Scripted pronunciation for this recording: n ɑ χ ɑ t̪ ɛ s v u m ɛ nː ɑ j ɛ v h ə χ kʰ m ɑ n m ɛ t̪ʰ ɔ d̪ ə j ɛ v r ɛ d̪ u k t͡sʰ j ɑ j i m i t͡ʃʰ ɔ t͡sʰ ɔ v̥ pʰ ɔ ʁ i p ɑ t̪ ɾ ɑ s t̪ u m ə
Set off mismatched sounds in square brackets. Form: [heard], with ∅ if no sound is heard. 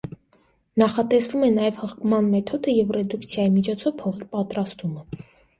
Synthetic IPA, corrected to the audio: n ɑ χ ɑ t̪ ɛ s v u m ɛ [n] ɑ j ɛ v h ə χ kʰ m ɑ n m ɛ t̪ʰ ɔ d̪ ə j ɛ v r ɛ d̪ u k t͡sʰ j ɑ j i m i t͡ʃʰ ɔ t͡sʰ ɔ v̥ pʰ ɔ ʁ i p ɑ t̪ ɾ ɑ s t̪ u m ə